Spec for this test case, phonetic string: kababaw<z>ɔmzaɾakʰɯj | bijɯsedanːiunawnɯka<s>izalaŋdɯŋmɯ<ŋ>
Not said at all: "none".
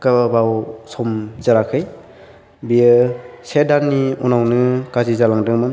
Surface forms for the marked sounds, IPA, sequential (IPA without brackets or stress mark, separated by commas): s, z, n